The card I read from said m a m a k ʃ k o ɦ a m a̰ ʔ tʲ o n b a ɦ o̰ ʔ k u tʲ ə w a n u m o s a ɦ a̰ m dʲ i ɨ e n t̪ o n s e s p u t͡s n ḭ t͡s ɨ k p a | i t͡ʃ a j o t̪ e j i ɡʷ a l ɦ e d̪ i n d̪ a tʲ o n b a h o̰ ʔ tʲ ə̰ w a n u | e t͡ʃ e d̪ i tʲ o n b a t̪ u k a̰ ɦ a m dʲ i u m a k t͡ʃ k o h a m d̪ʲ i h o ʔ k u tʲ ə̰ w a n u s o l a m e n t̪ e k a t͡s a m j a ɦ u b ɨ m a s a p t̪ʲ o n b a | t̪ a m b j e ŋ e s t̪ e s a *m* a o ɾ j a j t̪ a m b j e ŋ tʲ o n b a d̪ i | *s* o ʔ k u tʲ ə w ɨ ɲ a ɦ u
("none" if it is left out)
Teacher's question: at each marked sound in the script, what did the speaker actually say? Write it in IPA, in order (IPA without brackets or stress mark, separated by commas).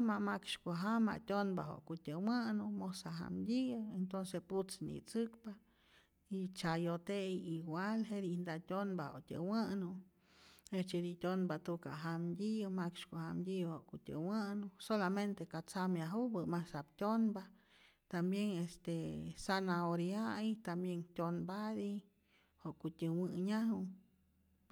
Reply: n, h